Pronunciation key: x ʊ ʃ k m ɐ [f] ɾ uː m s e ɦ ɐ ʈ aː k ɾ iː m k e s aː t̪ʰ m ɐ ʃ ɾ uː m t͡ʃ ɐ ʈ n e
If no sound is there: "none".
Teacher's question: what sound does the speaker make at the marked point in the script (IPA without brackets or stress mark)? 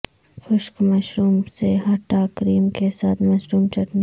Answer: ʃ